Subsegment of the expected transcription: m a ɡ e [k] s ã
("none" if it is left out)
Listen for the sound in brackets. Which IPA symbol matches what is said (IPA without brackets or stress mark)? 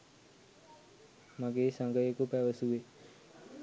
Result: none